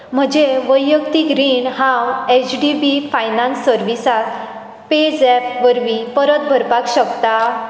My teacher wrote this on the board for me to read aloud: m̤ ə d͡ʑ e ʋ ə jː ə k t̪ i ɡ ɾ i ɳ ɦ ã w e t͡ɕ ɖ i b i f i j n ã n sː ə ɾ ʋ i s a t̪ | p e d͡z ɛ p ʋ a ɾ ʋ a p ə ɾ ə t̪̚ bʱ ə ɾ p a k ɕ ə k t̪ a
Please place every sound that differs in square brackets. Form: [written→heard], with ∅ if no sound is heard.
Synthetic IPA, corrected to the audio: m̤ ə d͡ʑ e ʋ ə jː ə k t̪ i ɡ ɾ i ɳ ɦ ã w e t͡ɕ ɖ i b i f [i→a] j n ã n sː ə ɾ ʋ i s a t̪ | p e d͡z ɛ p ʋ [a→ə] ɾ ʋ [a→i] p ə ɾ ə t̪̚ bʱ ə ɾ p a k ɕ ə k t̪ a

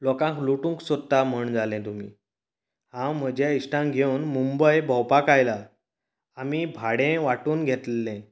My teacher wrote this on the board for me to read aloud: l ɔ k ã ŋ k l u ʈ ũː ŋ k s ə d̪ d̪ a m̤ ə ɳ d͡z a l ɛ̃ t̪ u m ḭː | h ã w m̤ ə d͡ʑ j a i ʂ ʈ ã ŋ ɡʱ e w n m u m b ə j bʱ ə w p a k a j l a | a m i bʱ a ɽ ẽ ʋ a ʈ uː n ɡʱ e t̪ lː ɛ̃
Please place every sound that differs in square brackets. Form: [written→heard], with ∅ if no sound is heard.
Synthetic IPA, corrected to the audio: l ɔ k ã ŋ k l u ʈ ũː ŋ k s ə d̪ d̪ a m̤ ə ɳ d͡z a l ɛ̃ t̪ u m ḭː | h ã w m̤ ə d͡ʑ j a i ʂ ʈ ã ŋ ɡʱ e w n m u m b ə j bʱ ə w p a k a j l a | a m i bʱ a ɽ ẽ ʋ a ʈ uː n ɡʱ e t̪ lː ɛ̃

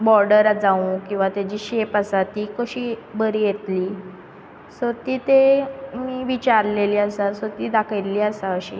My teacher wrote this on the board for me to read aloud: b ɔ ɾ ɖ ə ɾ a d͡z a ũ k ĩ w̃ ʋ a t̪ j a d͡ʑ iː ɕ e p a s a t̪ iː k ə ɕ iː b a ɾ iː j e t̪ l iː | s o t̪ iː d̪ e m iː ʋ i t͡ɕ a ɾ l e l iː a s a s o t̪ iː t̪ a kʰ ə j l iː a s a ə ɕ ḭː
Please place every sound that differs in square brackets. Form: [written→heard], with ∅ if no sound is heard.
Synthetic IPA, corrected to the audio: b ɔ ɾ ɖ ə ɾ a d͡z a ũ k ĩ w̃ ʋ a t̪ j a d͡ʑ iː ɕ e p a s a t̪ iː k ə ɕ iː b [a→ə] ɾ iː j e t̪ l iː | s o t̪ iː [d̪→t̪] e m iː ʋ i t͡ɕ a ɾ l e l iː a s a s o t̪ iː [t̪→d̪] a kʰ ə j l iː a s a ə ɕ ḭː

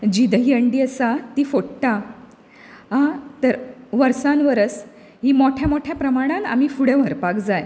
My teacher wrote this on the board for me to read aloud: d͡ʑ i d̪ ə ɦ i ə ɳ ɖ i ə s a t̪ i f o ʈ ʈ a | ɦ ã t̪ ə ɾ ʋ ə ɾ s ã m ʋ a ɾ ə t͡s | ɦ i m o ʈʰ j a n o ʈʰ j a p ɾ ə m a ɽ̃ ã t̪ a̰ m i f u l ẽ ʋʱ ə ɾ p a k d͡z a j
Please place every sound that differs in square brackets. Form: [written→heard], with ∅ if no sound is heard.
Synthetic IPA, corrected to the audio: d͡ʑ i d̪ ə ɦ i ə ɳ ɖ i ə s a t̪ i f o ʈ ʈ a | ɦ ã t̪ ə ɾ ʋ ə ɾ s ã [m→n] ʋ [a→ə] ɾ ə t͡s | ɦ i m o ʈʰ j a [n→m] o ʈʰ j a p ɾ ə m a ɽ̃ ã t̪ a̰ m i f u [l→ɽ] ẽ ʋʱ ə ɾ p a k d͡z a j

